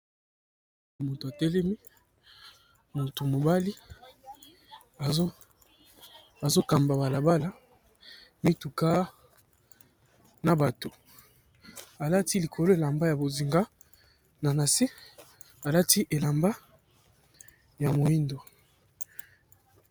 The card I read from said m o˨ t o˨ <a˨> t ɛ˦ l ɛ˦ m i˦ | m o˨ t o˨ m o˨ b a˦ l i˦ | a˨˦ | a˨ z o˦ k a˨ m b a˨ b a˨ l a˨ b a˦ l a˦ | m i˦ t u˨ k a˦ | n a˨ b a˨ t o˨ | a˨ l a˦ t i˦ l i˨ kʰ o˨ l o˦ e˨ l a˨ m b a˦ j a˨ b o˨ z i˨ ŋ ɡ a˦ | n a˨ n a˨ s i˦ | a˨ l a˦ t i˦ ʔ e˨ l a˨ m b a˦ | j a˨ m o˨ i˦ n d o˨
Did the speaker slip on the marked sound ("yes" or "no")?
no